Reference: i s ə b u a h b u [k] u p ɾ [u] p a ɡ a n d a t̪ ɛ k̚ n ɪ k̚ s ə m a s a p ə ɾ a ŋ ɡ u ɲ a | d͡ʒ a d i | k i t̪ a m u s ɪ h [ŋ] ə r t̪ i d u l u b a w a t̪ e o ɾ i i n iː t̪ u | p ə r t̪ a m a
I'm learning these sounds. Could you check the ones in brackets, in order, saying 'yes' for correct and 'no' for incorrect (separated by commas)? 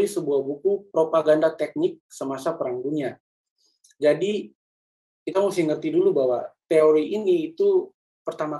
yes, no, yes